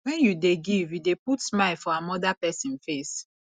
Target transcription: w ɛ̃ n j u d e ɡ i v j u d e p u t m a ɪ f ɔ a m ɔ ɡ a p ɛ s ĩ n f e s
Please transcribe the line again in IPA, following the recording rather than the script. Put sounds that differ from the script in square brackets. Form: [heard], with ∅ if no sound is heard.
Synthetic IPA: w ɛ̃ n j u d e ɡ i v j u d e p u t m a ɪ f ɔ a m ɔ [d] a p ɛ s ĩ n f e s